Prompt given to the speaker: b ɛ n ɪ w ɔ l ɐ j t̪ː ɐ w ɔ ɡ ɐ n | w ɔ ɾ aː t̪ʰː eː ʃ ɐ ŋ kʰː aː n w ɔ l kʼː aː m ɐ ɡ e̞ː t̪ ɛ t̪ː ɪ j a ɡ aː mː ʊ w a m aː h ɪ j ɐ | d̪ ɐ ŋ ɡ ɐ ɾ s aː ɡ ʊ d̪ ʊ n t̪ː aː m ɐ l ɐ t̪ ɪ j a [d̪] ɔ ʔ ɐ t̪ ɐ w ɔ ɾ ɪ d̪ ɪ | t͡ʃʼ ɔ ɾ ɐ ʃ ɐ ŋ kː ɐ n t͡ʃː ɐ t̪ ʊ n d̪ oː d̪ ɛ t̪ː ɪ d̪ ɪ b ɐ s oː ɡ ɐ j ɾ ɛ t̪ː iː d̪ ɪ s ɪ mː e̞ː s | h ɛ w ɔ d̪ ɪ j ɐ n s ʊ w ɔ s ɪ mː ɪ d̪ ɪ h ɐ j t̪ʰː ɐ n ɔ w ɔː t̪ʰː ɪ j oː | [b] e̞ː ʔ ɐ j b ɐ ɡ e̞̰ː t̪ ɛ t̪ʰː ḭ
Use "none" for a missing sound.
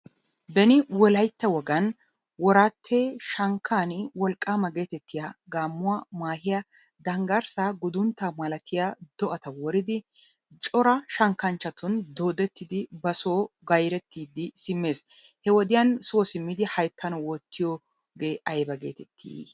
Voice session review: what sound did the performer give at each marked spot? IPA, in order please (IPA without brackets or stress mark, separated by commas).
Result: d̪, ɡ